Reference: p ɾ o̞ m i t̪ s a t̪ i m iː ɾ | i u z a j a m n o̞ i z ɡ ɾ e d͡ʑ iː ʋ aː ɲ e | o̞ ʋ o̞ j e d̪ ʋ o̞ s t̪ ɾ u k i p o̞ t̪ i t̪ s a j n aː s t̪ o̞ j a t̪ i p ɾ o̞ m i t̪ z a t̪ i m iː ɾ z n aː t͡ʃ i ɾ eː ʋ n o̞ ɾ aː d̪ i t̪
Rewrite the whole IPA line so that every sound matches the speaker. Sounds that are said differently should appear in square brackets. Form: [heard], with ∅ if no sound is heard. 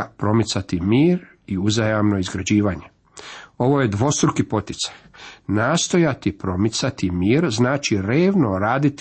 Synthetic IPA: p ɾ o̞ m i t̪ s a t̪ i m iː ɾ | i u z a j a m n o̞ i z ɡ ɾ [a] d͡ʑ iː ʋ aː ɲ e | o̞ ʋ o̞ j e d̪ ʋ o̞ s t̪ ɾ u k i p o̞ t̪ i t̪ s a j n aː s t̪ o̞ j a t̪ i p ɾ o̞ m i t̪ [s] a t̪ i m iː ɾ z n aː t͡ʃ i ɾ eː ʋ n o̞ ɾ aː d̪ i t̪